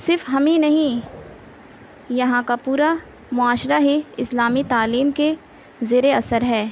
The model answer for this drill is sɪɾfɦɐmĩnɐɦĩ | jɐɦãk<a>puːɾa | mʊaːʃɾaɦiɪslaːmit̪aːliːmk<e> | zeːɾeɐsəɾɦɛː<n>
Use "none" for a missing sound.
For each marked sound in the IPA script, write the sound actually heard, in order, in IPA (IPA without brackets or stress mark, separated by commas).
a, e, none